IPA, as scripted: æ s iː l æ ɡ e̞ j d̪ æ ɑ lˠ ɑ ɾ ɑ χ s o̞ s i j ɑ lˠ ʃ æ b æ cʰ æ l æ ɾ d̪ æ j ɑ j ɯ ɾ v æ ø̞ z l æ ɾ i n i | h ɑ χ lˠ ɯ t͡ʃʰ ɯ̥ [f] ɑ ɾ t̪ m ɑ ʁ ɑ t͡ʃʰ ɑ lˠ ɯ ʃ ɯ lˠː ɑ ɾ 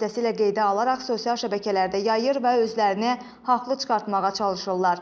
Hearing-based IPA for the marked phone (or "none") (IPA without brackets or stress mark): χ